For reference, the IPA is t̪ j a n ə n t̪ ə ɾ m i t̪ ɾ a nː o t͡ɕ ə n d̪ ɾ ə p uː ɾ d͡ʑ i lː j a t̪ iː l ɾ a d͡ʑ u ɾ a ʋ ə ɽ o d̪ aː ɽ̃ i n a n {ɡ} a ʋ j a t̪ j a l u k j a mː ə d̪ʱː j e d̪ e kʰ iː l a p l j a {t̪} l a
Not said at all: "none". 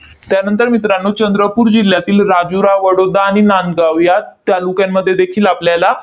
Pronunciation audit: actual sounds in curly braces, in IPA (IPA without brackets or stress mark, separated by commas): ɡ, none